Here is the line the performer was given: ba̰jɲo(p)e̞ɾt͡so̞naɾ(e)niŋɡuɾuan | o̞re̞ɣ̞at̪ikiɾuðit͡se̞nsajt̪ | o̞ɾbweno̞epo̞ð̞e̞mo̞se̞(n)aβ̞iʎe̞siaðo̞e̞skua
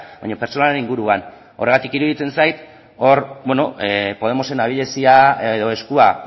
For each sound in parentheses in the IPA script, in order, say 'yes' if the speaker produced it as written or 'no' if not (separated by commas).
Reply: yes, yes, yes